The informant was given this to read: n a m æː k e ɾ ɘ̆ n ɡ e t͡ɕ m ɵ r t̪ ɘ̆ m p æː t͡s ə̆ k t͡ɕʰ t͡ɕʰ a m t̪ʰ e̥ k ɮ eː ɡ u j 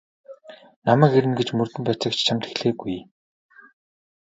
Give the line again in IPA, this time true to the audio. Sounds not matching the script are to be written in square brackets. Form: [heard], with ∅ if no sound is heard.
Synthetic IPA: n a m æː k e ɾ ɘ̆ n ɡ e t͡ɕ m ɵ r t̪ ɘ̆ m p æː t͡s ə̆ k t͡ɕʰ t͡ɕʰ a m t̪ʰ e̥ [x] ɮ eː ɡ u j